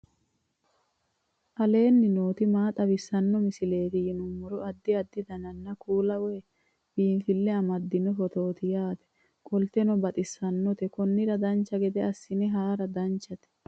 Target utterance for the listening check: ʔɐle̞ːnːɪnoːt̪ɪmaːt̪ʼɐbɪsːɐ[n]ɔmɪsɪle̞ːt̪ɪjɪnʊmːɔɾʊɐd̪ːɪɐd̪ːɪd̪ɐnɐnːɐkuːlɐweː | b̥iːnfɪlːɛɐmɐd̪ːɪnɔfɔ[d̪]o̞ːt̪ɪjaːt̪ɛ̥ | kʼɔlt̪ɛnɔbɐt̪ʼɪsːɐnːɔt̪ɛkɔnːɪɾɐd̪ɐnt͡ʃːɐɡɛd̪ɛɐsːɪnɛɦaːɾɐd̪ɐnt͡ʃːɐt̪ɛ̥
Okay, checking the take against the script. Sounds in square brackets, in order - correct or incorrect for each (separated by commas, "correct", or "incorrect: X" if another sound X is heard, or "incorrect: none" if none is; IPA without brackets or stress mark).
incorrect: nː, incorrect: t̪